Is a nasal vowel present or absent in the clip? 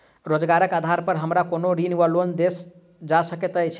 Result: absent